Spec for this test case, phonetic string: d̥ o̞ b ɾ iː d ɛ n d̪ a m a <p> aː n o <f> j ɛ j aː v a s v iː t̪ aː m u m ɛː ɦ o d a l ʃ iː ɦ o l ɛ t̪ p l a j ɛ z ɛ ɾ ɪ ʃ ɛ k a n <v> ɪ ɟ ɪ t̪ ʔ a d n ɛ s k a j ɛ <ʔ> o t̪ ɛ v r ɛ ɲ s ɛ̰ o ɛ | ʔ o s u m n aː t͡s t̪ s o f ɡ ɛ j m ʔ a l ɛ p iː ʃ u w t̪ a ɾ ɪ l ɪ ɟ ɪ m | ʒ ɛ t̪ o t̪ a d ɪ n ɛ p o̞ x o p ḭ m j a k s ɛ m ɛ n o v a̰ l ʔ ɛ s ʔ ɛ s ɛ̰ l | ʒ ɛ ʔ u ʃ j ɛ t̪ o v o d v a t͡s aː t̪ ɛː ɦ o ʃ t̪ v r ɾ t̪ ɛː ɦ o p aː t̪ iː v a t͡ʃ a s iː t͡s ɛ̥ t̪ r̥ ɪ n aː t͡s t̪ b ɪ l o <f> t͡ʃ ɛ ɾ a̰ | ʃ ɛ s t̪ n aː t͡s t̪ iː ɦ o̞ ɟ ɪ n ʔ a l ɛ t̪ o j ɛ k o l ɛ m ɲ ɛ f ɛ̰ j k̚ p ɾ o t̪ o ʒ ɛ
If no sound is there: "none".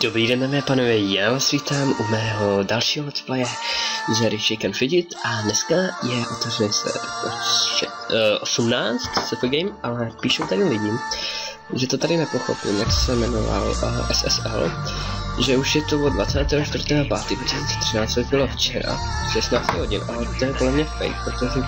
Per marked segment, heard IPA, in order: p, v, f, ʔ, f

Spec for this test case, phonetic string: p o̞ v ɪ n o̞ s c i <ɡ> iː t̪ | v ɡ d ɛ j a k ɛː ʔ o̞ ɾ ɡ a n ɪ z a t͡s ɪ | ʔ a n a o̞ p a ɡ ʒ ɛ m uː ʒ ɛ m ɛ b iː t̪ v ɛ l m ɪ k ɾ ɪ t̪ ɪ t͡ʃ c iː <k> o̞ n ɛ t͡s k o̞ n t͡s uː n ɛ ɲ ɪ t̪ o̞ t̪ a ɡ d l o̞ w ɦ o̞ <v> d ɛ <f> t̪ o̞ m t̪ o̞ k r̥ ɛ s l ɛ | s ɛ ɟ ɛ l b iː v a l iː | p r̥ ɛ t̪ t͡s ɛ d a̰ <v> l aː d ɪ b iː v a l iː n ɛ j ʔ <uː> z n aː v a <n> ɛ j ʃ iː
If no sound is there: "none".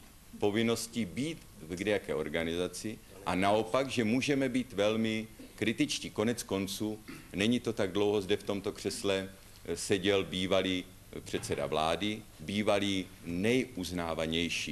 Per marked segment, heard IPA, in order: b, k, z, f, v, u, ɲ

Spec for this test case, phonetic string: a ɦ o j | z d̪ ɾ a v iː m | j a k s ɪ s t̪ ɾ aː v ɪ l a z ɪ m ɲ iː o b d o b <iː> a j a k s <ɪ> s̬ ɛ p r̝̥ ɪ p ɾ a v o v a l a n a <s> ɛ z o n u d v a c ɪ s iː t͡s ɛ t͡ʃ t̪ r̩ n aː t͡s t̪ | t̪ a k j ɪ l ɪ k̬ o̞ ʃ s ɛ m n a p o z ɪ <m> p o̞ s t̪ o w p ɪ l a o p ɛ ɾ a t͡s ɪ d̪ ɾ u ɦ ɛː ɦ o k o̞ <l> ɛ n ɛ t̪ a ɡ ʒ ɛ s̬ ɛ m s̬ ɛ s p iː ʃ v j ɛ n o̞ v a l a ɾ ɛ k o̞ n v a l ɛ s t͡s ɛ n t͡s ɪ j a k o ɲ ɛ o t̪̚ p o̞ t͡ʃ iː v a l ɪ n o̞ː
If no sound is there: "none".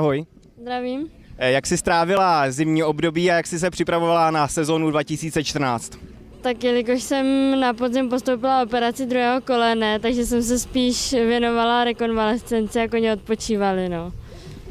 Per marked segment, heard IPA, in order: iː, ɪ, s, m, l

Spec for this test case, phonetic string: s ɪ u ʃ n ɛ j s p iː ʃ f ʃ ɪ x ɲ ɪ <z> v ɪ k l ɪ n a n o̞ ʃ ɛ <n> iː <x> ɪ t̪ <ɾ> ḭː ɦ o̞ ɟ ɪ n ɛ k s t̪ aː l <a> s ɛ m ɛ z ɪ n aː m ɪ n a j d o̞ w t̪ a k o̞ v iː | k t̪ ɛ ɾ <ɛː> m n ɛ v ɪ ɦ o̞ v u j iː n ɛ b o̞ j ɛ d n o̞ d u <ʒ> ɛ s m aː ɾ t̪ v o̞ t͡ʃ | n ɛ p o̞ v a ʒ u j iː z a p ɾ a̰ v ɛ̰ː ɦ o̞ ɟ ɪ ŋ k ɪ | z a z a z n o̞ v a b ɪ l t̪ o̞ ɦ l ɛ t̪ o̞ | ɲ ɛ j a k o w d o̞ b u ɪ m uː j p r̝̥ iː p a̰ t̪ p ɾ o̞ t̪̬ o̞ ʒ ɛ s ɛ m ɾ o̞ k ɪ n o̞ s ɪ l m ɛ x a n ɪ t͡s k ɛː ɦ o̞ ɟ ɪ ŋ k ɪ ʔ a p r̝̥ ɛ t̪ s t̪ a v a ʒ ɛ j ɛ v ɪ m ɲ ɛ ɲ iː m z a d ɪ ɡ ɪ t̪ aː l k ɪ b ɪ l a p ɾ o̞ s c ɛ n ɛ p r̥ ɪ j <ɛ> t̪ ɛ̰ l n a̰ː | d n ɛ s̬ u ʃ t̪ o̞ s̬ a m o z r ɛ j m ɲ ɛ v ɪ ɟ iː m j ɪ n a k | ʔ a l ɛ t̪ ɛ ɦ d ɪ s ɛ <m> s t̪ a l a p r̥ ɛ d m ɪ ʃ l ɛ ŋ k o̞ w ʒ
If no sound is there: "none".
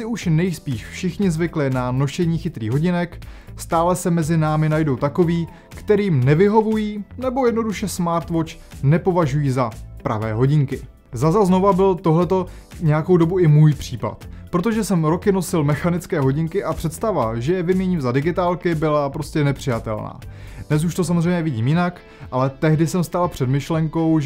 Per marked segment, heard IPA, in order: z, ɲ, x, ɾ, ɛ, iː, ʃ, a, m

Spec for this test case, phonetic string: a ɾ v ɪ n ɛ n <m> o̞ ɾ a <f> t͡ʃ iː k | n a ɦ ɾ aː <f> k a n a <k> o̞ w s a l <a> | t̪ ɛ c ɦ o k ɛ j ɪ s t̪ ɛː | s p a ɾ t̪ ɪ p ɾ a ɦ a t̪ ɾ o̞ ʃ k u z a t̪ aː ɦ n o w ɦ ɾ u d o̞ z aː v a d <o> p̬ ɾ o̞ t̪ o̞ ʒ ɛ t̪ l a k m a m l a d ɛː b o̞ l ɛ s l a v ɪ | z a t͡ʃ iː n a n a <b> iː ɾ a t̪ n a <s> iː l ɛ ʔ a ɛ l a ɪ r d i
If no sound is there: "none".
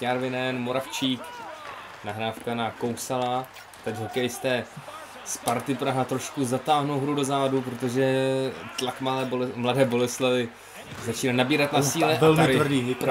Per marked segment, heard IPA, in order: m, f, f, k, a, u, b, s

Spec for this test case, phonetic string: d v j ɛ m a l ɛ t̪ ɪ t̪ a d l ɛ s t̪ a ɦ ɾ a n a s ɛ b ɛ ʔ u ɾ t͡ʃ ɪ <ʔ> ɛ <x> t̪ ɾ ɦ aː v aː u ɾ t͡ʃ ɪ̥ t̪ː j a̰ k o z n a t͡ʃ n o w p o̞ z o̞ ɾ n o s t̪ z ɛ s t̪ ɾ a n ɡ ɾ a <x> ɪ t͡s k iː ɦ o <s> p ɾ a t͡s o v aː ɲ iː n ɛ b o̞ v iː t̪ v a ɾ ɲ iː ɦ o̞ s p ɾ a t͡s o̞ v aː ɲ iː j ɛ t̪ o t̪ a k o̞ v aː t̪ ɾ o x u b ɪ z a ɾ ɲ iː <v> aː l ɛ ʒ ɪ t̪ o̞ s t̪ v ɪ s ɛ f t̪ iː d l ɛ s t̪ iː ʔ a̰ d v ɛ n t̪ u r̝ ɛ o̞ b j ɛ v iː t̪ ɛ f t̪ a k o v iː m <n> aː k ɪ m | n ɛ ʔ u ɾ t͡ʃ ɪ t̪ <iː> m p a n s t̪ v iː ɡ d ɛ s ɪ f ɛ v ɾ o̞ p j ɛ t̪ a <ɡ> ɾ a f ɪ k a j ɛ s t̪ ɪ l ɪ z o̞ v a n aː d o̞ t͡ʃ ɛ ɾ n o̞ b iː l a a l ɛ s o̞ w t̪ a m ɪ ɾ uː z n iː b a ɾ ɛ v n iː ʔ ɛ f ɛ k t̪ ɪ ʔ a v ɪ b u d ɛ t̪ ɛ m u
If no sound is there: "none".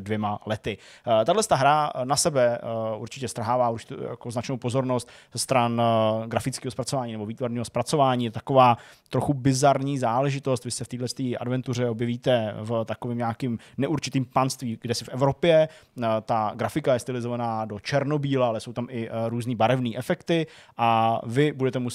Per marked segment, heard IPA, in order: c, s, f, s, z, ɲ, iː, ɡ

